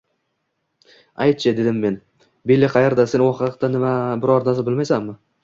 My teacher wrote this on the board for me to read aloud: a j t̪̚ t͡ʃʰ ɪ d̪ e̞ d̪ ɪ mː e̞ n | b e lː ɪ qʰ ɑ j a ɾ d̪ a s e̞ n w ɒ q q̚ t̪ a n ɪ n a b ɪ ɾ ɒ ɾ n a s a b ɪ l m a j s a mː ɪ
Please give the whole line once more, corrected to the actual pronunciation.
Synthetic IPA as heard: a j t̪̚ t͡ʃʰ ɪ d̪ e̞ d̪ ɪ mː e̞ n | b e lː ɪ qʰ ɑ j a ɾ d̪ a s e̞ n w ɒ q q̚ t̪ a n ɪ m a b ɪ ɾ ɒ ɾ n a s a b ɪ l m a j s a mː ɪ